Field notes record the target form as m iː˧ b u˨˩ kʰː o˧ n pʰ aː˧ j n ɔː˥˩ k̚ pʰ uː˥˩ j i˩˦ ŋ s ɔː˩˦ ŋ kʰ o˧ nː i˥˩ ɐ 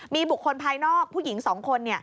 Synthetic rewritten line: m iː˧ b u˨˩ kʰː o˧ n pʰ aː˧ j n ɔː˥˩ k̚ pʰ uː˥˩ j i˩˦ ŋ s ɔː˩˦ ŋ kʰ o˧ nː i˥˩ ɐ

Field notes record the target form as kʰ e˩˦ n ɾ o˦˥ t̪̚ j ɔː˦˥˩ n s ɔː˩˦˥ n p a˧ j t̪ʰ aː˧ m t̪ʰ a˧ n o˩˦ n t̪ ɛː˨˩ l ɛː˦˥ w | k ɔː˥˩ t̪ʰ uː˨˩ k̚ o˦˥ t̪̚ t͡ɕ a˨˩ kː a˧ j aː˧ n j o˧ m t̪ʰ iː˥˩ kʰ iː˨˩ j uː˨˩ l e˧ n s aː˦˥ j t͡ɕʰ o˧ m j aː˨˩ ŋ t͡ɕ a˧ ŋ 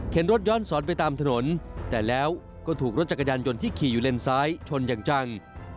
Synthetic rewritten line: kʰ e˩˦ n ɾ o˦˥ t̪̚ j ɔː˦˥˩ n s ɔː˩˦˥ n p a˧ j t̪ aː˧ m t̪ʰ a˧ n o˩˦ n t̪ ɛː˨˩ l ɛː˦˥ w | k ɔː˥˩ t̪ʰ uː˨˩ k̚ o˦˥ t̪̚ t͡ɕ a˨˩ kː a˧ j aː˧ n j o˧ n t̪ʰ iː˥˩ kʰ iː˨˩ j uː˨˩ l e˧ n s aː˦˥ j t͡ɕʰ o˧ n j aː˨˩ ŋ t͡ɕ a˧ ŋ

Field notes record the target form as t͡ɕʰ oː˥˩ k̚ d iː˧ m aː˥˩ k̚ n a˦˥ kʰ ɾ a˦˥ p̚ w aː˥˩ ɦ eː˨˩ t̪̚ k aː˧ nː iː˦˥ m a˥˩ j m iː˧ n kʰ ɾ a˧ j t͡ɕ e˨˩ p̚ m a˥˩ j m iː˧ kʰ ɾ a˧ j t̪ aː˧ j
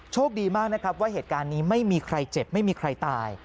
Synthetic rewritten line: t͡ɕʰ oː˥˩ k̚ d iː˧ m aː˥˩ k̚ n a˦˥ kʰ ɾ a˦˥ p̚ w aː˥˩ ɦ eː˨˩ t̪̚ k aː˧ nː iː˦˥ m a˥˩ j m iː˧ kʰ ɾ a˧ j t͡ɕ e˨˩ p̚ m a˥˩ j m iː˧ kʰ ɾ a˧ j t̪ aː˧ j

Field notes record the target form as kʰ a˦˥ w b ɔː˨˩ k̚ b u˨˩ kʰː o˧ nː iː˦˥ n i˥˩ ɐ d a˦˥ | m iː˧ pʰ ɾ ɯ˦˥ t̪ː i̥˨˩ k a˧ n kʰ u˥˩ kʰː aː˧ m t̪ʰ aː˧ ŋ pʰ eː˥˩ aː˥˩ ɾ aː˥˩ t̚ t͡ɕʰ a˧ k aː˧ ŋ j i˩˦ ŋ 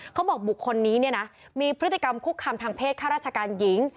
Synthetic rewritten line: kʰ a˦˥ w b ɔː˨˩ k̚ b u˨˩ kʰː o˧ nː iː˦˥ n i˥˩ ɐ n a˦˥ | m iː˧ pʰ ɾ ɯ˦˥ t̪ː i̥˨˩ k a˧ m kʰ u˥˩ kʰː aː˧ m t̪ʰ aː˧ ŋ pʰ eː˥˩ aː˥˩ ɾ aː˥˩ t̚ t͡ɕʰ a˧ k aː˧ n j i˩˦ ŋ

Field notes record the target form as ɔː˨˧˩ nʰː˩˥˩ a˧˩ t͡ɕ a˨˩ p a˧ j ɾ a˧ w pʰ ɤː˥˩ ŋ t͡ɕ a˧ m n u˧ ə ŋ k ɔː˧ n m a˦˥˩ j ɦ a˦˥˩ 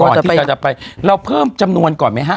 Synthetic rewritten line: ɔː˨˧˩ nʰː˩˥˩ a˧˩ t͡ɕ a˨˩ p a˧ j ɾ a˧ w pʰ ɤː˥˩ m t͡ɕ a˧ m n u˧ ə n k ɔː˨˩ n m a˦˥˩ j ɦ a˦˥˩

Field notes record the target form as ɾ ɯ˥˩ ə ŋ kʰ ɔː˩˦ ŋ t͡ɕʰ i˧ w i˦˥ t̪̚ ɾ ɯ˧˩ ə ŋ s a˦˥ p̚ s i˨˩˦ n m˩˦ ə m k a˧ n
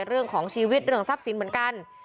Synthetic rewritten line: ɾ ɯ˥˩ ə ŋ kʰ ɔː˩˦ ŋ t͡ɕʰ iː˧ w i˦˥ t̪̚ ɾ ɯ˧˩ ə ŋ s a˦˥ p̚ s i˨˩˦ n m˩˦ ə n k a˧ n

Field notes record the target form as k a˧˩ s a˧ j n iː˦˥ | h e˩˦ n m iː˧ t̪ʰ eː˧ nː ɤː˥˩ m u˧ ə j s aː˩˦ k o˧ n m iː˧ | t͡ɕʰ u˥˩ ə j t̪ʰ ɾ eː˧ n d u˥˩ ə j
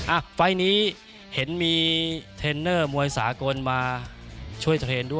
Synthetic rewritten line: ʔ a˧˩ f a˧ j n iː˦˥ | h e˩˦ n m iː˧ t̪ʰ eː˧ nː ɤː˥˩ m u˧ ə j s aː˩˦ k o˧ n m aː˧ | t͡ɕʰ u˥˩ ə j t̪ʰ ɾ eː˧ n d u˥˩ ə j

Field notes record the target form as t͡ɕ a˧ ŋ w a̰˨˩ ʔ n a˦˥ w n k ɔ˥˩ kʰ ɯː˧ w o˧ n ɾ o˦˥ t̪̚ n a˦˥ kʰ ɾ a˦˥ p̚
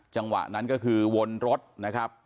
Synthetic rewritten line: t͡ɕ a˧ ŋ w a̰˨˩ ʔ n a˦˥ n k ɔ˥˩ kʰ ɯː˧ w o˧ n ɾ o˦˥ t̪̚ n a˦˥ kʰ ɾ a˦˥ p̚

